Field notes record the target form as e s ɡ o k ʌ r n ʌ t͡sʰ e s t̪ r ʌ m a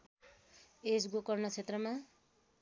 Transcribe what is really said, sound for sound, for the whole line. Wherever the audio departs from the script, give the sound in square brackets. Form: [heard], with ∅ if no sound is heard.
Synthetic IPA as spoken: e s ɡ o k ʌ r n ʌ t͡sʰ e [∅] t̪ r ʌ m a